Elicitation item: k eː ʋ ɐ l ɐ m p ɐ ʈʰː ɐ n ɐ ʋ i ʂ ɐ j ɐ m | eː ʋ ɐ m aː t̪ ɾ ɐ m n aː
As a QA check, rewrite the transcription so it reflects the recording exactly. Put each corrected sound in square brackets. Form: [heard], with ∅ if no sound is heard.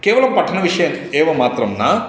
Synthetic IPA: k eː ʋ ɐ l ɐ m p ɐ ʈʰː ɐ n ɐ ʋ i ʂ ɐ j ɐ m | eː ʋ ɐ m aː t̪ ɾ ɐ m n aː